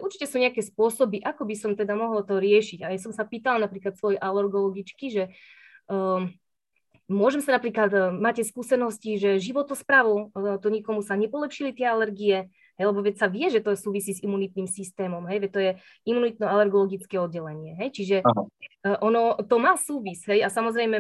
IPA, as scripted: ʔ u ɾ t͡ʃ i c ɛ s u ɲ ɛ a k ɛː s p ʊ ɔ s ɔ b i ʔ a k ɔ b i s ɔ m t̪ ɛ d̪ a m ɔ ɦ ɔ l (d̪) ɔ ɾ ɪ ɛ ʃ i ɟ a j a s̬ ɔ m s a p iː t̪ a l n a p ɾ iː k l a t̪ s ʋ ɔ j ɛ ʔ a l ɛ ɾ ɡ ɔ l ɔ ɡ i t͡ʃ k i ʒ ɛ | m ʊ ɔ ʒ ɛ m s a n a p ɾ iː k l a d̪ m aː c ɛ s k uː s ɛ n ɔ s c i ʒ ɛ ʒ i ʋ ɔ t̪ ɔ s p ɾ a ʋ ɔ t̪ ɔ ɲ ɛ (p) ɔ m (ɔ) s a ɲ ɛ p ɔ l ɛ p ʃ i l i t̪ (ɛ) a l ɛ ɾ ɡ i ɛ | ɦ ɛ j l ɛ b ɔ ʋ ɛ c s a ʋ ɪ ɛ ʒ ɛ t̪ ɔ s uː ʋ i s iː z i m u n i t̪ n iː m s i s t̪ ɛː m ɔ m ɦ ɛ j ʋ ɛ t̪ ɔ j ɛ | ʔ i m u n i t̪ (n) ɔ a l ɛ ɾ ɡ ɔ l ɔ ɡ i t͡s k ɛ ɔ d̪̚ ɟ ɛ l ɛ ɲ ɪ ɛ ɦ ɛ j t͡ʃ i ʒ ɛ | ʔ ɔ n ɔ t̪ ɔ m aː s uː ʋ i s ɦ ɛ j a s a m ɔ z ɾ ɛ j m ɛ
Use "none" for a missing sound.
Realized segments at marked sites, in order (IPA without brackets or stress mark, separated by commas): t̪, k, u, ɛ, n